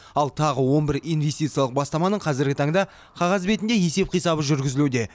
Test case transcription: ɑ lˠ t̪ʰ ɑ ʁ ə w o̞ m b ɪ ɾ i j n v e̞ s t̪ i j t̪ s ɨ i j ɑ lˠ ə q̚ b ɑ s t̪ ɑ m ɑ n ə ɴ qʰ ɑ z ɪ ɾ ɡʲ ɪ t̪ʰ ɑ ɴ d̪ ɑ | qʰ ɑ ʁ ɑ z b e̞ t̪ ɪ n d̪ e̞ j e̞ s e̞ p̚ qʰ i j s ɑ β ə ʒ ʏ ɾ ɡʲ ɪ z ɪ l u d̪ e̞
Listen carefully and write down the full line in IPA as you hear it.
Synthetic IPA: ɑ lˠ t̪ʰ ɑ ʁ ə w o̞ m b ɪ ɾ i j n v e̞ s t̪ i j t̪ s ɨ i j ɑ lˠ ə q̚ b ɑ s t̪ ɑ m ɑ n ə ɴ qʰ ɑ z ɪ ɾ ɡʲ ɪ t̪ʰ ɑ ɴ d̪ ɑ | qʰ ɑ ʁ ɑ z b e̞ t̪ ɪ n d̪ e̞ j e̞ s e̞ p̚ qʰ i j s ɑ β ə ʒ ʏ ɾ ɡʲ ɪ z ɪ l u d̪ e̞